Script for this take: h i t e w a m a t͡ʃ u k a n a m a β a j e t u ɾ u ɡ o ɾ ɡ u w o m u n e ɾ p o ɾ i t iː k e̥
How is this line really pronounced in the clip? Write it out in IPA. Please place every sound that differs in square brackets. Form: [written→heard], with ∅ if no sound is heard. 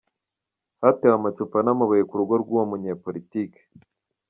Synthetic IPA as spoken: h [i→a] t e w a m a t͡ʃ u [k→p] a n a m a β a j e [t→k] u ɾ u ɡ o ɾ ɡ u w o m u [n→ɲ] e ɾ p o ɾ i t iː k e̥